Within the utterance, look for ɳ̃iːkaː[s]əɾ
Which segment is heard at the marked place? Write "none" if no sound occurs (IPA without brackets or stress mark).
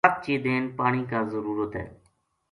z